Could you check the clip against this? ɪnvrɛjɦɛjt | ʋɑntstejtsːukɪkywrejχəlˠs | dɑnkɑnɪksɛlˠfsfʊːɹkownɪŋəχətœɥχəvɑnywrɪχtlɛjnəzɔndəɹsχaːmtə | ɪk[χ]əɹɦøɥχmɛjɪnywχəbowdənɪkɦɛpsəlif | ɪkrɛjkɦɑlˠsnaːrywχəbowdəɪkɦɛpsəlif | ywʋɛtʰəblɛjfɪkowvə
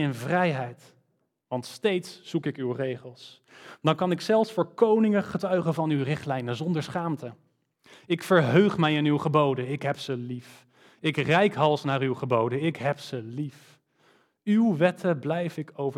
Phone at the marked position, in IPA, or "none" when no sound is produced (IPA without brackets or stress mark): f